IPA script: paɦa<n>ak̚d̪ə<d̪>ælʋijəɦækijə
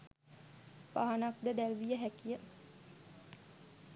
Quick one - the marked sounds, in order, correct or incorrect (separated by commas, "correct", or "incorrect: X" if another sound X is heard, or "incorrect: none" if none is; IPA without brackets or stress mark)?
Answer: correct, correct